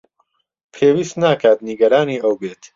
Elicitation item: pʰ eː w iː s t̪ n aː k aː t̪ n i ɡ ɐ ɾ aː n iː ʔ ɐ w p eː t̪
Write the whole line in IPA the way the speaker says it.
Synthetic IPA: pʰ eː w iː s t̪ n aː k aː t̪ n i ɡ ɐ ɾ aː n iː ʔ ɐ w b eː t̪